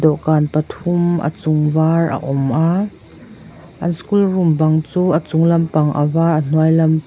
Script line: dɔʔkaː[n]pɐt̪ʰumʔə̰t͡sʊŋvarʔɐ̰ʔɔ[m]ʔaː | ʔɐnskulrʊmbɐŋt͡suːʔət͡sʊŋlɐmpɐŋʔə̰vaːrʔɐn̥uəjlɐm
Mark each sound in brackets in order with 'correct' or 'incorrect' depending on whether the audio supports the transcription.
correct, correct

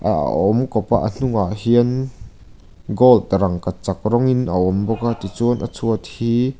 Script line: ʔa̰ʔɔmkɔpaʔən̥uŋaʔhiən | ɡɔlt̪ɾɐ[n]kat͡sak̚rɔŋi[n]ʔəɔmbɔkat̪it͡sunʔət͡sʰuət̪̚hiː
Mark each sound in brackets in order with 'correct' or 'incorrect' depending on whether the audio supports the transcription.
incorrect: ŋ, correct

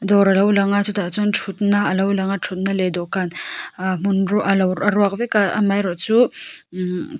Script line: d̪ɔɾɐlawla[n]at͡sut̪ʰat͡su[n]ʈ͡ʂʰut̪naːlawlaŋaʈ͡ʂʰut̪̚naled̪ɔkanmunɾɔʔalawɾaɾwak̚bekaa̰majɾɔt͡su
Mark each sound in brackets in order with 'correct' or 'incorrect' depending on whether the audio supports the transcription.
incorrect: ŋ, correct

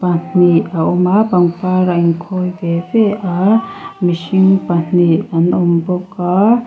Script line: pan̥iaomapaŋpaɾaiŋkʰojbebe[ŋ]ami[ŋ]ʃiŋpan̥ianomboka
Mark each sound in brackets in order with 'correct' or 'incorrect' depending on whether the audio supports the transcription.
incorrect: none, incorrect: none

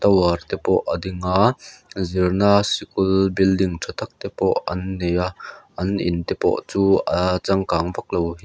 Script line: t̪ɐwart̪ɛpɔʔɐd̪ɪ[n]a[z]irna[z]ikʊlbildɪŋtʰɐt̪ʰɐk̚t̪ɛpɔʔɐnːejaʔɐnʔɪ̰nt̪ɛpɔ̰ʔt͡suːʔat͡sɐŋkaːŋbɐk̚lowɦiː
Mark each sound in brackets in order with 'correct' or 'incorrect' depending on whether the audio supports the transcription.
incorrect: ŋ, correct, incorrect: s

